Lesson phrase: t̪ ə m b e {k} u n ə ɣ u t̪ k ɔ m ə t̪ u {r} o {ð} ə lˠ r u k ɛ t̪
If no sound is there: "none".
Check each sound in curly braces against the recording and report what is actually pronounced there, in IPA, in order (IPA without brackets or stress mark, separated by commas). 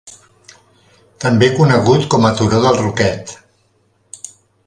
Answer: k, ɾ, ð